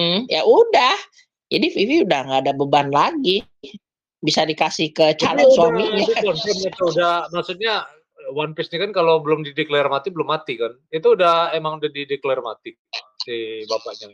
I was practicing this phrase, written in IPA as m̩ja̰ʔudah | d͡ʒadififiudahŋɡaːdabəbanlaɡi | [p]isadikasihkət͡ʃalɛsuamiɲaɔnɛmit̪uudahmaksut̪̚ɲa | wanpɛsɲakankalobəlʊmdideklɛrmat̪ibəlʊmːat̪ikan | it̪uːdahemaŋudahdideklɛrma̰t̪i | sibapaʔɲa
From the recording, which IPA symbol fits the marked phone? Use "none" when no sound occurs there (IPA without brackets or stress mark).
b